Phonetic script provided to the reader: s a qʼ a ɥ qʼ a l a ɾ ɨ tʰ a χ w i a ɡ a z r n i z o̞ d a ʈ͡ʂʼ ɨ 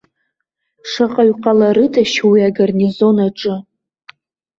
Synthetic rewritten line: ʂ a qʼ a ɥ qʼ a l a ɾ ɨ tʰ a ʃ w i a ɡ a r n i z o̞ n a ʈ͡ʂʼ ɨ